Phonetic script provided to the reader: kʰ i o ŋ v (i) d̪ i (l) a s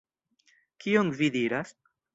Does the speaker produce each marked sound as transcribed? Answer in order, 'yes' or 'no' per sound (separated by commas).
yes, no